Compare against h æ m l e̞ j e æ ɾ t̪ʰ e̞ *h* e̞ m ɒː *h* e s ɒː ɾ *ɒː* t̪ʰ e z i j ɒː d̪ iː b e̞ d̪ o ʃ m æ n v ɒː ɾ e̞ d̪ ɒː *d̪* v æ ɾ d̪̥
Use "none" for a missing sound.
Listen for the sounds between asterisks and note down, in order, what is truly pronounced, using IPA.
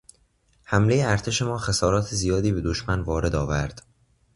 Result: ʃ, x, ɒː, none

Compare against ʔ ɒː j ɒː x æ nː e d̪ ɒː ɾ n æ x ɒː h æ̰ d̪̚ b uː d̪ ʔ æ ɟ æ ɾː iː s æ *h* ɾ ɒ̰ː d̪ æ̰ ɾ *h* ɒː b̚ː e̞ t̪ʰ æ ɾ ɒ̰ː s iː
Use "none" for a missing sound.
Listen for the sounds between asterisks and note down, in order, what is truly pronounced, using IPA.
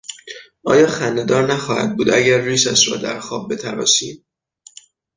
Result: ʃ, x

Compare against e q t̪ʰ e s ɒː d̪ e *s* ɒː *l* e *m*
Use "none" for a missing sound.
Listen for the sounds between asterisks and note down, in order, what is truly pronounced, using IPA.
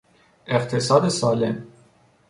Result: s, l, m

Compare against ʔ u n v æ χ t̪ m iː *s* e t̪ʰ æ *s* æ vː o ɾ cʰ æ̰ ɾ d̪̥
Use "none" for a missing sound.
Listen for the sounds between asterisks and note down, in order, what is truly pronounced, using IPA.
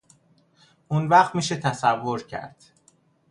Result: ʃ, s

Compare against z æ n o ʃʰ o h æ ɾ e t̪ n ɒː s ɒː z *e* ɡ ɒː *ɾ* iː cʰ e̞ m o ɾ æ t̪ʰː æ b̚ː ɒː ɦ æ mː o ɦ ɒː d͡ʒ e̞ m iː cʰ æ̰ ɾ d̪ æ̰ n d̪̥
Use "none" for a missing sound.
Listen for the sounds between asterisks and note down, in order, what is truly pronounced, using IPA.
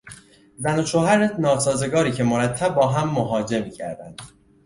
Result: e, ɾ

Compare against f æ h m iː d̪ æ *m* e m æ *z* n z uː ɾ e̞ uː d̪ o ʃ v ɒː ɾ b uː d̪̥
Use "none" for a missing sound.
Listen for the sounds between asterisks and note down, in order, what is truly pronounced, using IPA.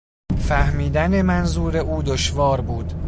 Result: n, none

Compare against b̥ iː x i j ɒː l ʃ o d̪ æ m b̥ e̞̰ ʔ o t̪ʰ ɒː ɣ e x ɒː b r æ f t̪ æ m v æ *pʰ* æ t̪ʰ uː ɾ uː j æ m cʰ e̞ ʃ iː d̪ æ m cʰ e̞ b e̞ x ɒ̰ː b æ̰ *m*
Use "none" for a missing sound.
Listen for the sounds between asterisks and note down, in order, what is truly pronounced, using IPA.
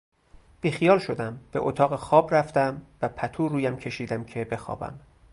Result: pʰ, m

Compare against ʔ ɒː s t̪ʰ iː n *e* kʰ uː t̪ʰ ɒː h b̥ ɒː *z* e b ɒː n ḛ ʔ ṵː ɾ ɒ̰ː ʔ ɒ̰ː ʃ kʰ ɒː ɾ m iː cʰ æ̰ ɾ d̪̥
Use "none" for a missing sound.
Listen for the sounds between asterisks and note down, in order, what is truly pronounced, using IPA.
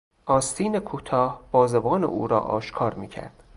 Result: e, z

